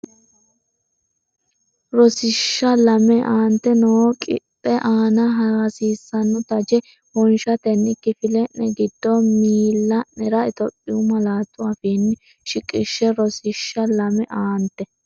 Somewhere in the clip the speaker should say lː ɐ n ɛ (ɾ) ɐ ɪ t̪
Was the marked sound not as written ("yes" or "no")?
no